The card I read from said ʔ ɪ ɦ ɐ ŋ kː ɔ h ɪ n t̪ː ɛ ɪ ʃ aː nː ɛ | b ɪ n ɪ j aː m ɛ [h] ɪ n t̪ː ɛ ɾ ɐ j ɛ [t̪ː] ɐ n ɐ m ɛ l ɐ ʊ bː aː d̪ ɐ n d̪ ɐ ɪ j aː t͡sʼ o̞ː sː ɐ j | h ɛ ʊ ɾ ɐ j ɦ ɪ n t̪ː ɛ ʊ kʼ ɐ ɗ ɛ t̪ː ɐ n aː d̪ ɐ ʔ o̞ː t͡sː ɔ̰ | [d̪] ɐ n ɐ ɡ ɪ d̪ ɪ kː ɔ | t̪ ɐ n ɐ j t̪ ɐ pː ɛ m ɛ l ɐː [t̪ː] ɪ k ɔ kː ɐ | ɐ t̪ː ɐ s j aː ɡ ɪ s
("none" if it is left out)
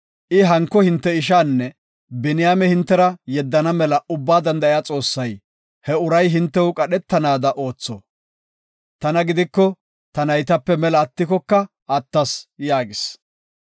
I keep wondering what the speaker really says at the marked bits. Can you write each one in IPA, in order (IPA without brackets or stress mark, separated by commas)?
h, d̪ː, t̪, t̪ː